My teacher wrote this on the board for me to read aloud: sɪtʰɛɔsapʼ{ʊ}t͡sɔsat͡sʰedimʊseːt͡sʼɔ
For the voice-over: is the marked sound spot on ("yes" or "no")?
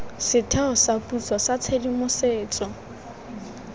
no